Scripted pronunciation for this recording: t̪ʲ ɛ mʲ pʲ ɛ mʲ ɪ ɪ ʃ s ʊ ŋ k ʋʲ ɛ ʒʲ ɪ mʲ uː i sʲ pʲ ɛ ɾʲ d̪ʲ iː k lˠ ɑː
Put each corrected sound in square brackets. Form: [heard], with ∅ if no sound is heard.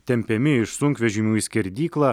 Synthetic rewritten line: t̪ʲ ɛ mʲ pʲ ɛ mʲ ɪ ɪ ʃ s ʊ ŋ k ʋʲ ɛ ʒʲ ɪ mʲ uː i sʲ [kʲ] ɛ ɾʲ d̪ʲ iː k lˠ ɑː